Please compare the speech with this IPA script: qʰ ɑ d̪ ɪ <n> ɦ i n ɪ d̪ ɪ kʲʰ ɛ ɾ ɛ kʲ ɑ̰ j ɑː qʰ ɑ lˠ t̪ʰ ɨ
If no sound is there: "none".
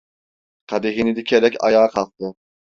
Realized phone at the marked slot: none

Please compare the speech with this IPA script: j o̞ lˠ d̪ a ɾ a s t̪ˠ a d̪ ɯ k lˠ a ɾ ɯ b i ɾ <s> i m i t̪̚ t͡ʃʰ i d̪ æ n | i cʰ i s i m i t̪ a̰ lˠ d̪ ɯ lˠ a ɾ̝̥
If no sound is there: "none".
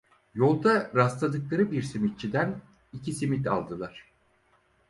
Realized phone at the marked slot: s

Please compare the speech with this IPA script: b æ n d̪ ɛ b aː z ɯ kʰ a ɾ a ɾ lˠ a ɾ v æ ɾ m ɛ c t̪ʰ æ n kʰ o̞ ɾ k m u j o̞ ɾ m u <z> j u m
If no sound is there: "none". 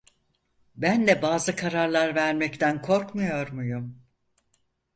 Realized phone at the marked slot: none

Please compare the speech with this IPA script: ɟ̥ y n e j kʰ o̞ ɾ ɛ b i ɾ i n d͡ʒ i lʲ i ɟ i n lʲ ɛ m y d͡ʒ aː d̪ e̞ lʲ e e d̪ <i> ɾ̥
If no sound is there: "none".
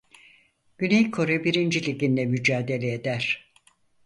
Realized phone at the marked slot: æ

